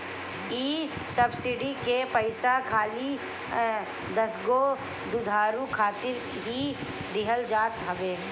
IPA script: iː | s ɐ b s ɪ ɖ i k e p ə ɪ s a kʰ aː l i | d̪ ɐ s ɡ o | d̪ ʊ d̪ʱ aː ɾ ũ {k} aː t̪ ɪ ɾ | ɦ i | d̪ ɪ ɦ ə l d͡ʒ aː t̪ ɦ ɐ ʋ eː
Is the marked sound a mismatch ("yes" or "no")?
yes